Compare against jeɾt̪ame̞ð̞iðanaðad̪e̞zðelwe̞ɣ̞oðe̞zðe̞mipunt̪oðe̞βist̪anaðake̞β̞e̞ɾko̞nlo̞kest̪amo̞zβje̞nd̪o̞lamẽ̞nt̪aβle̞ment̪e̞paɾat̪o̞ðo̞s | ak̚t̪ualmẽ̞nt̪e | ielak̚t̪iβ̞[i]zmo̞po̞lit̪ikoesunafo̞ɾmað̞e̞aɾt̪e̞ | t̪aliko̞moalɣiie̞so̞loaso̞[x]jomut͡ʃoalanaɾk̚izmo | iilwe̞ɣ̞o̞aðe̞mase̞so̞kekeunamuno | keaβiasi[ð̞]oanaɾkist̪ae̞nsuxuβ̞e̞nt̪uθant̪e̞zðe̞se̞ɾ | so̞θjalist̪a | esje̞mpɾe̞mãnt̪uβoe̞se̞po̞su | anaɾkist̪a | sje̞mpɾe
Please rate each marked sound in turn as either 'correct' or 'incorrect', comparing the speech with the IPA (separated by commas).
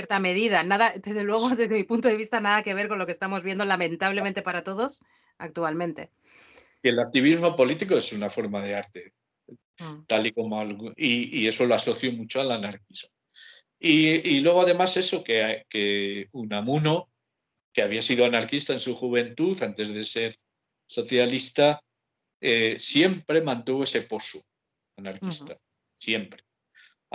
correct, incorrect, correct